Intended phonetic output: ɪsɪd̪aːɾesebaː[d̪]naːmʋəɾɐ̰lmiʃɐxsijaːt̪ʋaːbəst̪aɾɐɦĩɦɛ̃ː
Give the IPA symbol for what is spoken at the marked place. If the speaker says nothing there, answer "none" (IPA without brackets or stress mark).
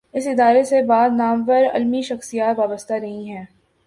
d̪